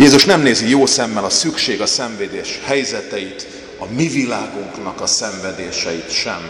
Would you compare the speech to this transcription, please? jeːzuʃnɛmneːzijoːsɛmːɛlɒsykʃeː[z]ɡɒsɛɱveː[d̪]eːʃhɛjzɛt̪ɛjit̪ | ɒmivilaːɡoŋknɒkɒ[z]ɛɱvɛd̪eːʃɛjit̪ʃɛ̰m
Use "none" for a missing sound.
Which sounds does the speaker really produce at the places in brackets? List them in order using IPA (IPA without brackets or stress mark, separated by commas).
none, d̪, s